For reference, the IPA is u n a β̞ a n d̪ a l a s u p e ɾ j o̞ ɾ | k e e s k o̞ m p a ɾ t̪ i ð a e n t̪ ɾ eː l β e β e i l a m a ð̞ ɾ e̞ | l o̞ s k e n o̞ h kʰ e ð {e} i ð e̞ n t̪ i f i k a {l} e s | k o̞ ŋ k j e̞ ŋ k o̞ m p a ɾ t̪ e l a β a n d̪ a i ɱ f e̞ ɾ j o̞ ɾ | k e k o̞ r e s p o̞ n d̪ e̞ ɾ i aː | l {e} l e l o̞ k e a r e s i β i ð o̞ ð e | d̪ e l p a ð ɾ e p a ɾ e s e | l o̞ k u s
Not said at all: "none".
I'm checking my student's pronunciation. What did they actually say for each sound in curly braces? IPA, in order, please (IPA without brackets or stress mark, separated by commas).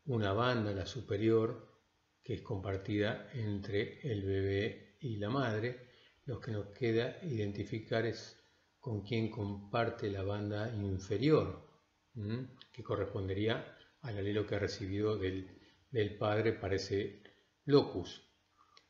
a, ɾ, a